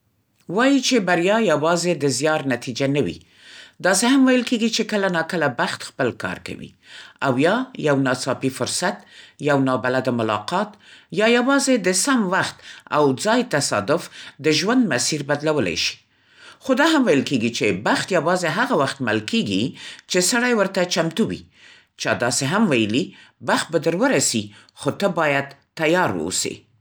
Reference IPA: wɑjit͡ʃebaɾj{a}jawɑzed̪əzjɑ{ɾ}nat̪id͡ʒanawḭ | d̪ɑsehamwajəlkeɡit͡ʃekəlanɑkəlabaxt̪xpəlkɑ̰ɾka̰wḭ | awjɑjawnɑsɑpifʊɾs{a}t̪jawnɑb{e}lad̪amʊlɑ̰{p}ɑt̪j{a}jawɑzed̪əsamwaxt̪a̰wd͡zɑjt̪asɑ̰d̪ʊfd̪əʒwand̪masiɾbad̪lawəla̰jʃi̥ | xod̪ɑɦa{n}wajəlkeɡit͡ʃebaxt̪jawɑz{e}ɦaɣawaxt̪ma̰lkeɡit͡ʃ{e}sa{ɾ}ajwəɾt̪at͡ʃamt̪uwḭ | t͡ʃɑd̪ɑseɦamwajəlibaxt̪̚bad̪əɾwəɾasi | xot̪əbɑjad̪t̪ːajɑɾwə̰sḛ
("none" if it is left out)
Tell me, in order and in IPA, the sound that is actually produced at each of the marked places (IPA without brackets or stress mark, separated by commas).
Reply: ɑ, ɾ, a, a, q, ɑ, m, e, e, ɽ